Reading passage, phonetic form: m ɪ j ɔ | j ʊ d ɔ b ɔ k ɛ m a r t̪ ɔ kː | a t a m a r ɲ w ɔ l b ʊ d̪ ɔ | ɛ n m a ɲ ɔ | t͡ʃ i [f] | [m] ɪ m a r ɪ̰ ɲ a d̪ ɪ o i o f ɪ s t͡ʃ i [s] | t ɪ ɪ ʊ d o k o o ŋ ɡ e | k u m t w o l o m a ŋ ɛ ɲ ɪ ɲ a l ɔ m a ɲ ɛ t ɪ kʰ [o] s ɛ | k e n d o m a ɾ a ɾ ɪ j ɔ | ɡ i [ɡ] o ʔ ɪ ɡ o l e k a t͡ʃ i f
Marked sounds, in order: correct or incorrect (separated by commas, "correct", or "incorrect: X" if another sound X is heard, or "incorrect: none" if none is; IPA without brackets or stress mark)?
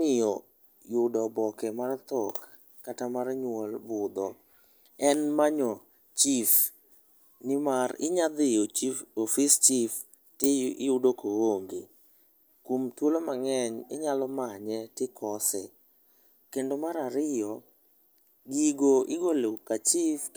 correct, incorrect: n, incorrect: f, incorrect: ɔ, correct